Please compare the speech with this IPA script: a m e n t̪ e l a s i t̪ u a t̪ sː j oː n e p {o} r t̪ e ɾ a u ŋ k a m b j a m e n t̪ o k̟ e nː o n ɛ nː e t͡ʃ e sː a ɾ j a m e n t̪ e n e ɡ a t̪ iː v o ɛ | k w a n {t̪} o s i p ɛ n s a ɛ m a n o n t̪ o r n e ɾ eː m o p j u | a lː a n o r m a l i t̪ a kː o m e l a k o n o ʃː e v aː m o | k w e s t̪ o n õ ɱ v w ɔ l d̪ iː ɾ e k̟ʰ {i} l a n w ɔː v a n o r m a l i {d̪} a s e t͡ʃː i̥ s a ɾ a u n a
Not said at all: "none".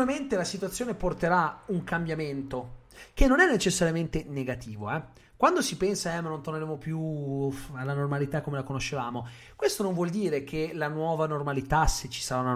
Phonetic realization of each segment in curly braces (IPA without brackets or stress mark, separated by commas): o, d̪, e, t̪